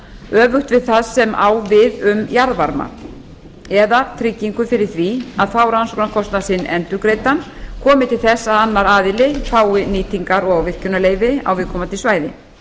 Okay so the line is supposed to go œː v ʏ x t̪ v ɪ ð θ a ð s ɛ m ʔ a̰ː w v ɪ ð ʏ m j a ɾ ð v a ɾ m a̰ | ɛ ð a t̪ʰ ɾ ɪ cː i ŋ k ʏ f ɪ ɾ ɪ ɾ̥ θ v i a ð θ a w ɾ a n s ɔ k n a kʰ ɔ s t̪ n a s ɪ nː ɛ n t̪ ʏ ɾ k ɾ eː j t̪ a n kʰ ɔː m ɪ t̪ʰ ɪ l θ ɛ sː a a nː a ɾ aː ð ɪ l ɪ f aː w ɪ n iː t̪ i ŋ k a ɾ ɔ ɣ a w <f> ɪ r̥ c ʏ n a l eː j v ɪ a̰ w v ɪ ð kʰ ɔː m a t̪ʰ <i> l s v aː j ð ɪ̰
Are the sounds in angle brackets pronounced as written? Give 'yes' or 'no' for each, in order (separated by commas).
no, no